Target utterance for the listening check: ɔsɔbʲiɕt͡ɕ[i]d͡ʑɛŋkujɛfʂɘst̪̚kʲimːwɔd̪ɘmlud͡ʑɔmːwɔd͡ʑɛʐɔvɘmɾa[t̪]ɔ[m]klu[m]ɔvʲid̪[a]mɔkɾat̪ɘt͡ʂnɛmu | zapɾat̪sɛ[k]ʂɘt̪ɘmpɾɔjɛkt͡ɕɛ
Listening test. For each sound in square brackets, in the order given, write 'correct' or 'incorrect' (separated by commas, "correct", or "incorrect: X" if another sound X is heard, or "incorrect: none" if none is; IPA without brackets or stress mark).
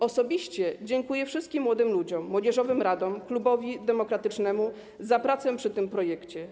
incorrect: ɛ, incorrect: d̪, correct, incorrect: b, incorrect: ɛ, incorrect: p